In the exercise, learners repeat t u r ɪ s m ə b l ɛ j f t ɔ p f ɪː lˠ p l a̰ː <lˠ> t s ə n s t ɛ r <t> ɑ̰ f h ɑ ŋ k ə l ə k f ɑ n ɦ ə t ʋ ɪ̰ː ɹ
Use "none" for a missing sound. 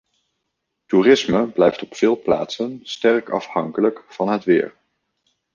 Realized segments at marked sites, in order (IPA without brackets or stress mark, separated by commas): none, k